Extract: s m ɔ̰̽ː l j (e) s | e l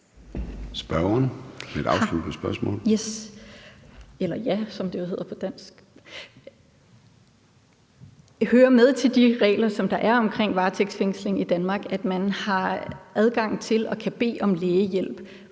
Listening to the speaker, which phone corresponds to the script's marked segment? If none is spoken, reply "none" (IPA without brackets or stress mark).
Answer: e